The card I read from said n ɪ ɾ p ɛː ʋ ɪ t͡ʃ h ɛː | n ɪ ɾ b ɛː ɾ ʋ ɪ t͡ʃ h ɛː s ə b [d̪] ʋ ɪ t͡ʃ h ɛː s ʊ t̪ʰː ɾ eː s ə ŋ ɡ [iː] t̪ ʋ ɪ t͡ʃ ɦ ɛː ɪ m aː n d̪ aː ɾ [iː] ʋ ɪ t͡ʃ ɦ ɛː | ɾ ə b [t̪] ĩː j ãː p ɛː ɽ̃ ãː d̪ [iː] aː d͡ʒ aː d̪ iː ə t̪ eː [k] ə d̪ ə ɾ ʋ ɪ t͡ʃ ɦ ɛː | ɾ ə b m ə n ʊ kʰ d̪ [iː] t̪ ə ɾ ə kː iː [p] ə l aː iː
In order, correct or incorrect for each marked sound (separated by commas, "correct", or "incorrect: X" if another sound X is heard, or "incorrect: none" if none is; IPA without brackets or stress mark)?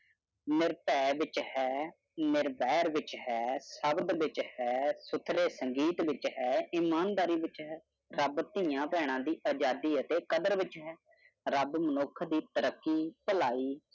correct, correct, correct, correct, correct, correct, correct, correct